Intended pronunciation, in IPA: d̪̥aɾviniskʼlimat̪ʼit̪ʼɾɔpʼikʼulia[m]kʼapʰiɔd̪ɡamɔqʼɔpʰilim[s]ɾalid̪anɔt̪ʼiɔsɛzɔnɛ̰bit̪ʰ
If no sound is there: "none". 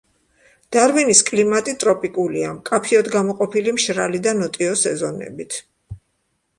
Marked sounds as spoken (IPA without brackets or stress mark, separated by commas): m, ʃ